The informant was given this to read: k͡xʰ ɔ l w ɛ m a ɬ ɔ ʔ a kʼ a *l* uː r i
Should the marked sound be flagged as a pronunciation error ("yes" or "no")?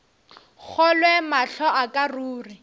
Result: yes